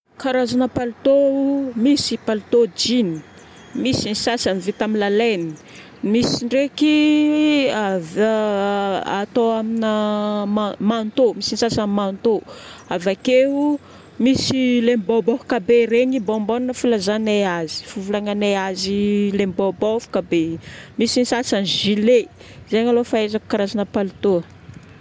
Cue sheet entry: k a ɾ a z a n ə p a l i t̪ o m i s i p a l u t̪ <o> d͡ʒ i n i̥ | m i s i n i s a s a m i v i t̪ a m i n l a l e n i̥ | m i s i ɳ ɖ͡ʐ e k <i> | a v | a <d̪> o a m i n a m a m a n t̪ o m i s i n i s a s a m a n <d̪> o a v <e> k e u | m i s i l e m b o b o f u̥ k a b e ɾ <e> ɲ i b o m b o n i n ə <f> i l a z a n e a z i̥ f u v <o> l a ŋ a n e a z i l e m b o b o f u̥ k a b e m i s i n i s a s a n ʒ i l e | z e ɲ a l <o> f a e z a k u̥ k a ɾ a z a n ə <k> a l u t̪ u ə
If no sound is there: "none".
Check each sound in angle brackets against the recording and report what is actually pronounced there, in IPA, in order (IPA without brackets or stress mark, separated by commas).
o, i, t̪, t̪, a, e, f, u, o, p